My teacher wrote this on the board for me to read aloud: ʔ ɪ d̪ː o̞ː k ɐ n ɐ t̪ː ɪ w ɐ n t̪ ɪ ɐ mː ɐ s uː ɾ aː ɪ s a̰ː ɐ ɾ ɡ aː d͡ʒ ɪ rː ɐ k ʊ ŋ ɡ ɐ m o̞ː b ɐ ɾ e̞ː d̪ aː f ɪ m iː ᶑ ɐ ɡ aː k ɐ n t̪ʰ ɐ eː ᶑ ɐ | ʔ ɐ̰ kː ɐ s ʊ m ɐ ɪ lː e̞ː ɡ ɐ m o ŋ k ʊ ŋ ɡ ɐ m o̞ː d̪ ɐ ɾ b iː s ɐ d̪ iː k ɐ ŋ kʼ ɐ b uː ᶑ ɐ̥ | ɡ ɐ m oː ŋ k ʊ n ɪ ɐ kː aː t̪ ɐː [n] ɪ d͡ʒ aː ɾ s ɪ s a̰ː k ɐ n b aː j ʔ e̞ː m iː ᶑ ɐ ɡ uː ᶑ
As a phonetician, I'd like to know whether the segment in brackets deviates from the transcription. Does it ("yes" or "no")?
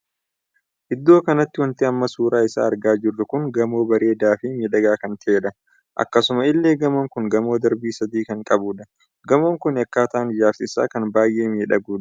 no